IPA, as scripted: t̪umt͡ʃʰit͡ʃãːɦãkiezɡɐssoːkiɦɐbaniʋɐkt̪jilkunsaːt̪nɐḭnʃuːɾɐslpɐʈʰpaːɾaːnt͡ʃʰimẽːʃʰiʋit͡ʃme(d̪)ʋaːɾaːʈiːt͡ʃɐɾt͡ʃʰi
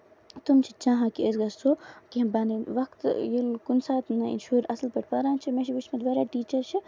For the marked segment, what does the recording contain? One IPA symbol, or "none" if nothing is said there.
d̪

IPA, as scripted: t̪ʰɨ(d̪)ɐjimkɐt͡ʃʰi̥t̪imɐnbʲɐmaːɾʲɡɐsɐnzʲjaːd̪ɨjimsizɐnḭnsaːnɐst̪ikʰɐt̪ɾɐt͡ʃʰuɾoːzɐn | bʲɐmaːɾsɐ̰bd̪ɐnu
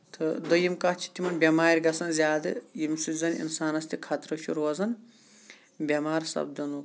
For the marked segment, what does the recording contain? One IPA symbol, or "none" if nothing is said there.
d̪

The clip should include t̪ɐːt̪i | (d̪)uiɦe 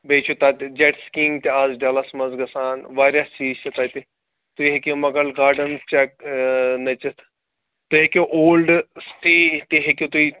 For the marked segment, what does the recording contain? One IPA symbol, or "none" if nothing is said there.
t̪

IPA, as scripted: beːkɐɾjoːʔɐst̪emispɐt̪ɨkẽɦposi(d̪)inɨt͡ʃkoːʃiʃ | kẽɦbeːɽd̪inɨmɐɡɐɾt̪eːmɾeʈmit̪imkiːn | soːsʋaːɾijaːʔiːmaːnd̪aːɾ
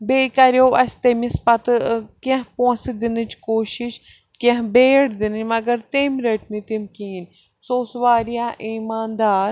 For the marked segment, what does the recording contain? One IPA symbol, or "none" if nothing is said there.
d̪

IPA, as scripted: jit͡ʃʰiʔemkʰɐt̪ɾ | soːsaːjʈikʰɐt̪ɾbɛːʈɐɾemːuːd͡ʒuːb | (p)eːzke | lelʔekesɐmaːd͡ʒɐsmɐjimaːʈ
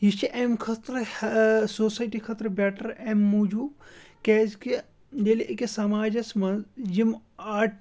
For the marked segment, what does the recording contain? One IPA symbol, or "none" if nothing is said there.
k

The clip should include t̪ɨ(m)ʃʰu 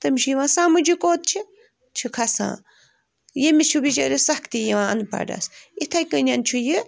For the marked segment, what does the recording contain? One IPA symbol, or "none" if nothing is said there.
m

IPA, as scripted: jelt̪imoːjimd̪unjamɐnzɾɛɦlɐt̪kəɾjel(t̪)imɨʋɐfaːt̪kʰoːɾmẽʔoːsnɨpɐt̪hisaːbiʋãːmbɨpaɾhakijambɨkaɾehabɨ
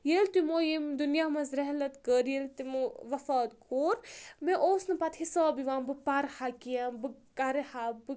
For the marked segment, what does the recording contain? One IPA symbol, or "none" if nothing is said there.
t̪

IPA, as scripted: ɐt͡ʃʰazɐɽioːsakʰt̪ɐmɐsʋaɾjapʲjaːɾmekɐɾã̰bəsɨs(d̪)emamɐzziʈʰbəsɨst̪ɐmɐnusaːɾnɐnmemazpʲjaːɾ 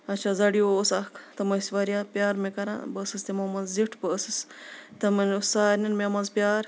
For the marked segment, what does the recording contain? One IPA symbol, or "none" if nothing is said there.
t̪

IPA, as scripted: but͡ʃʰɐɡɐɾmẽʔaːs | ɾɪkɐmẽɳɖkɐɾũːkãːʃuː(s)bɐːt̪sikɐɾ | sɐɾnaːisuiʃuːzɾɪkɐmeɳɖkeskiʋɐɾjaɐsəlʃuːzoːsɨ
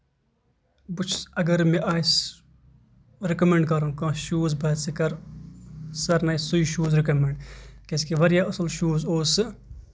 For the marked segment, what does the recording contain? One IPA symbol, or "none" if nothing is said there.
z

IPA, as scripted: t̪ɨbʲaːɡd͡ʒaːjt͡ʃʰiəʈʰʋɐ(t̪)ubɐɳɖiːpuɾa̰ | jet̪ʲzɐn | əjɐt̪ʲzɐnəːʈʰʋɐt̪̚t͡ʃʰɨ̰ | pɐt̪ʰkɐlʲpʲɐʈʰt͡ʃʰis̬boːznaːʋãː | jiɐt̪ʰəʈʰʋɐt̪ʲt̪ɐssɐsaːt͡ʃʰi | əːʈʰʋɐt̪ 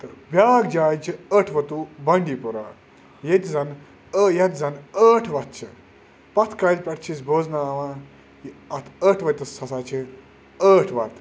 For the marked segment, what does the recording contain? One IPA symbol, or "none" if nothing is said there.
t̪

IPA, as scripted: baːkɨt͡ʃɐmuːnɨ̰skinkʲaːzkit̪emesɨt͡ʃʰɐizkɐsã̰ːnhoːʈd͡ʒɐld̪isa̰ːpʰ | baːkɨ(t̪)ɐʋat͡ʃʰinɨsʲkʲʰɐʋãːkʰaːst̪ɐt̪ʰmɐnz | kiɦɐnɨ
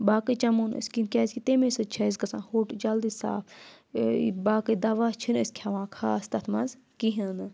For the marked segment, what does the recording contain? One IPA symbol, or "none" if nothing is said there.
d̪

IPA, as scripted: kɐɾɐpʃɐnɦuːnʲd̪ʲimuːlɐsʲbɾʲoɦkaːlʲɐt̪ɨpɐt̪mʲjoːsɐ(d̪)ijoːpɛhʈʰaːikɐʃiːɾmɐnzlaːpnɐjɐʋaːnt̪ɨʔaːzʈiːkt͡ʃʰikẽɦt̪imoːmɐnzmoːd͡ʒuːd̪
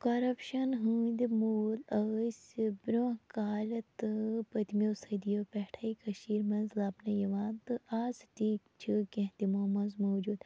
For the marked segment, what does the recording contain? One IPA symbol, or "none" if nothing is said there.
d̪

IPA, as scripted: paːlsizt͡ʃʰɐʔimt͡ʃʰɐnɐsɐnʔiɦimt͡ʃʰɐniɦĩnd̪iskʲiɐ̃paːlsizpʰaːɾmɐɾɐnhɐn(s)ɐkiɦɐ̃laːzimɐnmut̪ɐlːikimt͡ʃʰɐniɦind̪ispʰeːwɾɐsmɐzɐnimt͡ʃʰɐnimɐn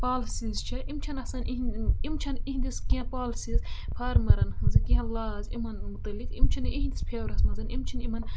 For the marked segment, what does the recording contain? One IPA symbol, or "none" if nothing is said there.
z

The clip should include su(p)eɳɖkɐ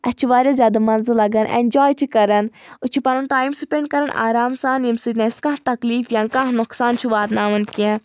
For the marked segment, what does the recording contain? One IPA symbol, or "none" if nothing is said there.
p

